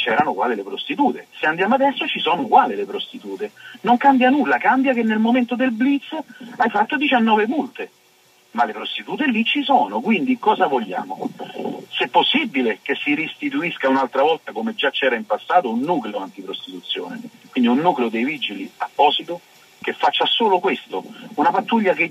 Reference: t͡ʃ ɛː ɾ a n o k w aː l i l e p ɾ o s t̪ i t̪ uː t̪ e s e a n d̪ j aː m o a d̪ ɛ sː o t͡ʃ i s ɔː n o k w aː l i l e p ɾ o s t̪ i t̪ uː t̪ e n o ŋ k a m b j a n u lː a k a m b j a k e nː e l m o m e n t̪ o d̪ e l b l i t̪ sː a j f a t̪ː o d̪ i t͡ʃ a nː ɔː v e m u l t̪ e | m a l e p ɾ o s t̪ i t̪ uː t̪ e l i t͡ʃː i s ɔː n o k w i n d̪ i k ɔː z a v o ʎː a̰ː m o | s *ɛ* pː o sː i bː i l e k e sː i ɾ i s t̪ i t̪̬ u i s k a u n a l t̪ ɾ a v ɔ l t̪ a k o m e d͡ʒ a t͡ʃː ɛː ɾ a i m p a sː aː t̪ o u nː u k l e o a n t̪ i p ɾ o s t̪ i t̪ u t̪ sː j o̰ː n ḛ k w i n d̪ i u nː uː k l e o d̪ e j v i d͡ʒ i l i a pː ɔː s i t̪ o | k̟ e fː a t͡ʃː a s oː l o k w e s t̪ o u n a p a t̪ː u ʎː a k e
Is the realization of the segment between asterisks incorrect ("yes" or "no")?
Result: no